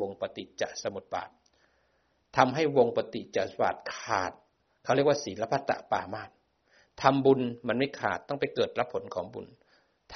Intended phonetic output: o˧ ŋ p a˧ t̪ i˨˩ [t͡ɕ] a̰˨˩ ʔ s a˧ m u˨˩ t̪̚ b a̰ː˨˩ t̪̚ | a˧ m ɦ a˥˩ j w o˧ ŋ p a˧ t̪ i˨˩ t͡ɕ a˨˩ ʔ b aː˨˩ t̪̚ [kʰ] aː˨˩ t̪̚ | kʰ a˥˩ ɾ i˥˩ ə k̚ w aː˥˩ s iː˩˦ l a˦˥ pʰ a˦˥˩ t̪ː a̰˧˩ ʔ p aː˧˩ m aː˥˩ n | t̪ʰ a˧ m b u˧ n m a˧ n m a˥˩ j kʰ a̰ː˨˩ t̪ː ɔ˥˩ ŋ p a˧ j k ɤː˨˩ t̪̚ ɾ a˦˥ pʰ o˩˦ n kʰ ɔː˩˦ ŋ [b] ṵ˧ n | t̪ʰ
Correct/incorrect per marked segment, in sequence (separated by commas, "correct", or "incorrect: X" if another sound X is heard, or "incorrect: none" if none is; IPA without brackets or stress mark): correct, correct, correct